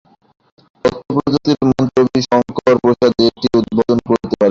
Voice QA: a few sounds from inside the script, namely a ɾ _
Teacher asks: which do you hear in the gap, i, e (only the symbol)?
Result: e